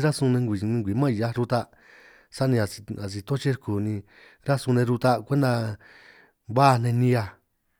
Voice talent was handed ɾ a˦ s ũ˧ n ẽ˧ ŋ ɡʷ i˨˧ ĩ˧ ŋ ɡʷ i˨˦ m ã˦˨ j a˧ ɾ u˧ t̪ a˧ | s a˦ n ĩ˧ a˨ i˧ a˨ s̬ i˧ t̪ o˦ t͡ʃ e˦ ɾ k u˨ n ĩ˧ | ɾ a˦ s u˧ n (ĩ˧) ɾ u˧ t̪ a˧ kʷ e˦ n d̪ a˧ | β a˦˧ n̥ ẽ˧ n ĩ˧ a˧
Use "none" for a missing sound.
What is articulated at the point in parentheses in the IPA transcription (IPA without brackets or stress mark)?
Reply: ẽ˧